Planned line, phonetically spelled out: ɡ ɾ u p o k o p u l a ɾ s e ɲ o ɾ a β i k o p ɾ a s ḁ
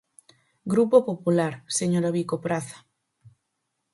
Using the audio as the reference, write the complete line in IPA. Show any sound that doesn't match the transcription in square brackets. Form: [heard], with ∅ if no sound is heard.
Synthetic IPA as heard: ɡ ɾ u p o [p] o p u l a ɾ s e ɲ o ɾ a β i k o p ɾ a [θ] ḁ

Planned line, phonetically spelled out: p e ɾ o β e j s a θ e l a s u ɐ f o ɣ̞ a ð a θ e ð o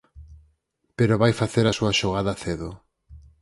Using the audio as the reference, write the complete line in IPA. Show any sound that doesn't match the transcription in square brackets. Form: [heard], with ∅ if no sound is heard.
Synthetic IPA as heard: p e ɾ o β [a] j [f] a θ e [ɾ] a s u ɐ [ʃ] o ɣ̞ a ð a θ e ð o

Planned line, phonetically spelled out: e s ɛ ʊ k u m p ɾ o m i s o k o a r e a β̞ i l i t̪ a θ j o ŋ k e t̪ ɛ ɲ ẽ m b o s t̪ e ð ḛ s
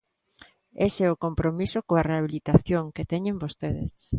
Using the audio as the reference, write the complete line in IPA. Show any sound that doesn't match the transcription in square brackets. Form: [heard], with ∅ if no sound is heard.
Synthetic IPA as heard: e s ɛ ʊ k [o] m p ɾ o m i s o k o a r e a β̞ i l i t̪ a θ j o ŋ k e t̪ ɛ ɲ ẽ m b o s t̪ e ð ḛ s

